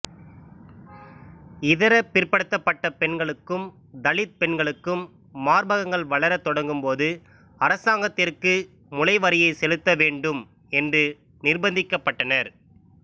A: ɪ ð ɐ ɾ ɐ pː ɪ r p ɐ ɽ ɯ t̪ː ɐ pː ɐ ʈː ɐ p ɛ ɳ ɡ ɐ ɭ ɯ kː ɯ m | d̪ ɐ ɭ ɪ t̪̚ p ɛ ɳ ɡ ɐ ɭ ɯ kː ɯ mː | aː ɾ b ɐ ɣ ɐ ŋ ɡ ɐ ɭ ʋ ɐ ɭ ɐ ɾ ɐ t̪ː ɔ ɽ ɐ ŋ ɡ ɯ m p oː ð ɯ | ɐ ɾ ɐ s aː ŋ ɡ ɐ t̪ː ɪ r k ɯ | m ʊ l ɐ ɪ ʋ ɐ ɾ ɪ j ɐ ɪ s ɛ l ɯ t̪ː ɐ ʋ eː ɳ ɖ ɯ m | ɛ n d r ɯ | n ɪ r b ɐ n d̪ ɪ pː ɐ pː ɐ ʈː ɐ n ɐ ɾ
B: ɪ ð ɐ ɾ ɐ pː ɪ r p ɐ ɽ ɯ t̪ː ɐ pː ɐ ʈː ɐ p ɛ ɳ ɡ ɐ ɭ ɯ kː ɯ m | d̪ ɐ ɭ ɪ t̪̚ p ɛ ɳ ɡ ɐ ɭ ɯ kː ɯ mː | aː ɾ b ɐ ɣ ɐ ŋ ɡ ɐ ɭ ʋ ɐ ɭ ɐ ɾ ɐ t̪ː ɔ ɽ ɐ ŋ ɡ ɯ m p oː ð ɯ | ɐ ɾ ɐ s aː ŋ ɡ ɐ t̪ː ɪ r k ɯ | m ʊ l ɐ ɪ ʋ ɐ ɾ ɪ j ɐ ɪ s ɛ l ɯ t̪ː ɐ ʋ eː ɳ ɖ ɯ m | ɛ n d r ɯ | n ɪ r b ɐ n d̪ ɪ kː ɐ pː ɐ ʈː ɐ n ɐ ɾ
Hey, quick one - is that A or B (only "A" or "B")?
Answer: B